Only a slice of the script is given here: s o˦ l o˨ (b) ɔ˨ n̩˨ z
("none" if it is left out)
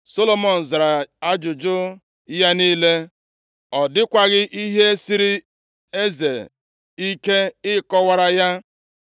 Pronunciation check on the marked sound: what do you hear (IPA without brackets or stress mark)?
m